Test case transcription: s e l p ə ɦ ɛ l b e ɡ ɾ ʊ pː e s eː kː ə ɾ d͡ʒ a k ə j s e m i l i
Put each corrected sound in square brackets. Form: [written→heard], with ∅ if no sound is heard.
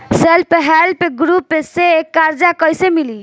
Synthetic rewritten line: s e l p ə ɦ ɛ l [b→p] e ɡ ɾ [ʊ→u] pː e s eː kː [ə→a] ɾ d͡ʒ a k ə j s e m i l i

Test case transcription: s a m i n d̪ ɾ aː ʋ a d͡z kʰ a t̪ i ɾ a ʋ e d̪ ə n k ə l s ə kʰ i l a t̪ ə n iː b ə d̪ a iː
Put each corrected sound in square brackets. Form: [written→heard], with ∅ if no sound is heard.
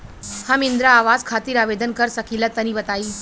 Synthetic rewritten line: [s→h] a m i n d̪ ɾ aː ʋ a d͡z kʰ a t̪ [i→iː] ɾ a ʋ e d̪ ə n k ə [l→ɾ] s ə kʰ i l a t̪ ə n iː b ə [d̪→t̪] a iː

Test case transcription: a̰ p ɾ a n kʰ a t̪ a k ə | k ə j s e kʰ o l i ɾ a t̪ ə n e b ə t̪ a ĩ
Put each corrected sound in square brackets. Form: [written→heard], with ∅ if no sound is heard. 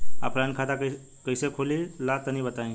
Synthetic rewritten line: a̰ p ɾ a n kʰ a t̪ a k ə | k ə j s e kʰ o l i [ɾ→l] a t̪ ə n [e→i] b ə t̪ a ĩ

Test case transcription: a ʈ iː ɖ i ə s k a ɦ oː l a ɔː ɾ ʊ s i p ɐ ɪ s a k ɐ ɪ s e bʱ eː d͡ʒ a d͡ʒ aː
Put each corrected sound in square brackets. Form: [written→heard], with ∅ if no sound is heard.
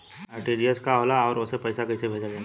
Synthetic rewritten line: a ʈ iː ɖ i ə s k a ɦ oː l a ɔː ɾ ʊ s [i→e] p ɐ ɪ s a k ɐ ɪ s e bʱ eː d͡ʒ a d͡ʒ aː

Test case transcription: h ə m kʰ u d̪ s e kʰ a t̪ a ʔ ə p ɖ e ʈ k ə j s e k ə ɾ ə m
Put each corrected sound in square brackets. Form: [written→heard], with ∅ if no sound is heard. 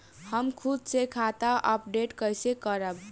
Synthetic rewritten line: h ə m kʰ u d̪ s e kʰ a t̪ a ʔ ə p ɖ e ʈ k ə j s e k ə ɾ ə [m→b]

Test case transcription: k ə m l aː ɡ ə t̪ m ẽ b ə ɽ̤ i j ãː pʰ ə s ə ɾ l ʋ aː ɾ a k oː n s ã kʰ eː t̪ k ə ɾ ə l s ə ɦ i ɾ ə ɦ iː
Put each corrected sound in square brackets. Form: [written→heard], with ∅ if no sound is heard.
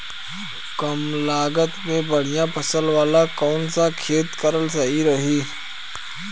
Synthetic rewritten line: k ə m l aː ɡ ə t̪ m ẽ b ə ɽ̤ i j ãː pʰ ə s ə [ɾ→∅] l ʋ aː [ɾ→l] a k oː n s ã kʰ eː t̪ k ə ɾ ə l s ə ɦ i ɾ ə ɦ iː

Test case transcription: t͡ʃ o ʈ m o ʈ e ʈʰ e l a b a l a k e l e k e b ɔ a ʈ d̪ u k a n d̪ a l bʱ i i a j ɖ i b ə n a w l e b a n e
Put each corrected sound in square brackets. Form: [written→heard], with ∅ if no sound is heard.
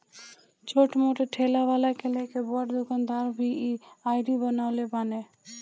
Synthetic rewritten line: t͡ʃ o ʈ m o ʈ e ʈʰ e l a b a l a k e l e k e b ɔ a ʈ d̪ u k a n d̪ a [l→ɾ] bʱ i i a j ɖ i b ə n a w l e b a n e

